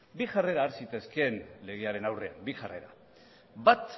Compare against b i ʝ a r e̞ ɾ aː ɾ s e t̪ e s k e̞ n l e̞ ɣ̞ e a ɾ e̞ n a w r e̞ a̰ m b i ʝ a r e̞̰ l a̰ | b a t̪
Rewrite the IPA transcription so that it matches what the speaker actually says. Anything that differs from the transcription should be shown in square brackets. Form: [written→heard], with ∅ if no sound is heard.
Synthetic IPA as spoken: b i ʝ a r e̞ ɾ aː ɾ s [e→i] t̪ e s k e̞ n l e̞ ɣ̞ e a ɾ e̞ n a w r e̞ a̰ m b i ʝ a r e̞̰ [l→ɾ] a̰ | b a t̪